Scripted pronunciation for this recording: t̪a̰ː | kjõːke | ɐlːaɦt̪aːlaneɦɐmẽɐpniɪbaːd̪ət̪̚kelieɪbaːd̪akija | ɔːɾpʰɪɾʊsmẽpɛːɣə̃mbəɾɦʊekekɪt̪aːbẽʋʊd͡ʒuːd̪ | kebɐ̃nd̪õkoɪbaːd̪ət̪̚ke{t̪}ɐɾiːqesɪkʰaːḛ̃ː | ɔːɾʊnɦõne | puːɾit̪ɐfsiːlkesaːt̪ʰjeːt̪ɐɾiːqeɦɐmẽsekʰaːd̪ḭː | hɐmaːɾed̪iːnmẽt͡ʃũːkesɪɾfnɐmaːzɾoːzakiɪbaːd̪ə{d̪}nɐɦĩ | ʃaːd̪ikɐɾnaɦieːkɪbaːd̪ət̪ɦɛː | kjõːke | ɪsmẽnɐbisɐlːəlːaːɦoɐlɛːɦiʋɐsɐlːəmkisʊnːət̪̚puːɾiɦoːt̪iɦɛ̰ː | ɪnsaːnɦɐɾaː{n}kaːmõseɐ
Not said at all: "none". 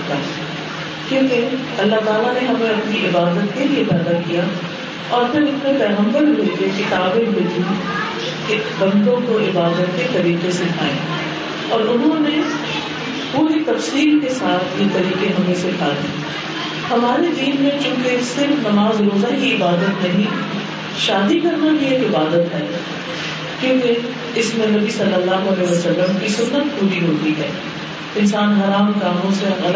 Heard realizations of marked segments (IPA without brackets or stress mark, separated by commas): t̪, t̪, m